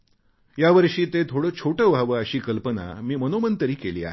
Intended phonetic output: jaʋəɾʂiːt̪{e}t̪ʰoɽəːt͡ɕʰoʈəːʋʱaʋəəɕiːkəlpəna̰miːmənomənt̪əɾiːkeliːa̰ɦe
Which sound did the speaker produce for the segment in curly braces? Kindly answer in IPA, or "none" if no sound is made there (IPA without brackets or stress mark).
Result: e